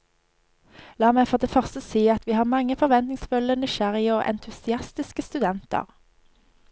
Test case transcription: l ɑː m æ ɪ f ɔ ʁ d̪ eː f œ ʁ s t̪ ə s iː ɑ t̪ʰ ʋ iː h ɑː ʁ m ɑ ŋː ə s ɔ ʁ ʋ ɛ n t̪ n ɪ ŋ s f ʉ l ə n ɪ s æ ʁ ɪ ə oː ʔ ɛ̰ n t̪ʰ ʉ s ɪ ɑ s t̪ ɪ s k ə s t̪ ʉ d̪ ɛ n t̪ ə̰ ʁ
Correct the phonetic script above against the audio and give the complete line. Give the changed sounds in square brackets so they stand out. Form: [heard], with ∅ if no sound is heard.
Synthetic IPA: l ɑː m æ ɪ f ɔ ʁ d̪ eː f œ ʁ s t̪ ə s iː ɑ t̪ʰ ʋ iː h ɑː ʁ m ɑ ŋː ə [f] ɔ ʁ ʋ ɛ n t̪ n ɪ ŋ s f ʉ l ə n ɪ [ʃ] æ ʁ ɪ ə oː ʔ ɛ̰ n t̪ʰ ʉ s ɪ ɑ s t̪ ɪ s k ə s t̪ ʉ d̪ ɛ n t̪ ə̰ ʁ